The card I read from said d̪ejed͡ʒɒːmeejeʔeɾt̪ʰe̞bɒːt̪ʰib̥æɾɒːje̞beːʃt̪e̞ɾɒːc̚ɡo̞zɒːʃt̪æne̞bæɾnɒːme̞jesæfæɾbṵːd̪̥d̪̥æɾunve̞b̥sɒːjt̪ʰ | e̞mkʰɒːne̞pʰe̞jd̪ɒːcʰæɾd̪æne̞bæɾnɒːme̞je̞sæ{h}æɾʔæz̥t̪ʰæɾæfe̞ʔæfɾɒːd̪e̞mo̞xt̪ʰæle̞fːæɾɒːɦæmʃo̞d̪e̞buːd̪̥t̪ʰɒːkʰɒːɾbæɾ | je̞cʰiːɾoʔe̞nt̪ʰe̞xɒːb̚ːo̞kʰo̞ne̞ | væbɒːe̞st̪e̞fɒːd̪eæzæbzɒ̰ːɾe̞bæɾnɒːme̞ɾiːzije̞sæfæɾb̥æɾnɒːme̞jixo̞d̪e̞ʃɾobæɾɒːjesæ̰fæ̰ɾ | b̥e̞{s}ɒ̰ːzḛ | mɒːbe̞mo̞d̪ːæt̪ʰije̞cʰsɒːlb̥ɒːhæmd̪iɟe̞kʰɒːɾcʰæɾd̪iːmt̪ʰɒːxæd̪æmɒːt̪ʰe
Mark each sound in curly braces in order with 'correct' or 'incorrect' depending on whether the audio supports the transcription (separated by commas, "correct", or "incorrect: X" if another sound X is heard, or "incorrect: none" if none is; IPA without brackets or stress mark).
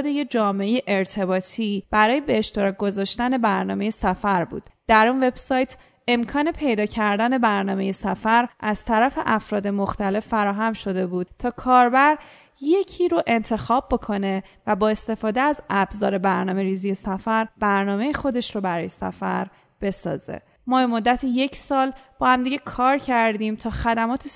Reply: incorrect: f, correct